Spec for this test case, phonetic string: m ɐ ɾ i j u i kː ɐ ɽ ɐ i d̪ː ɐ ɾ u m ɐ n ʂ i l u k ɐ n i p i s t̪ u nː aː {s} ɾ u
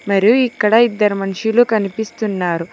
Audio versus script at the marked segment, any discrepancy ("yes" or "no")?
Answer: yes